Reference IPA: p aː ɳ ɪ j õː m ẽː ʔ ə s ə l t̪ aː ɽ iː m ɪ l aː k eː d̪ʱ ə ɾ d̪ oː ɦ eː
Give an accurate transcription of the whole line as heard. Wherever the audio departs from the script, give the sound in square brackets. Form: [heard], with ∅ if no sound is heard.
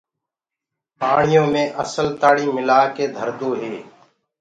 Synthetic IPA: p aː ɳ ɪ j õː m ẽː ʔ ə s ə l t̪ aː ɽ iː m ɪ l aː k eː d̪ʱ ə ɾ d̪ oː ɦ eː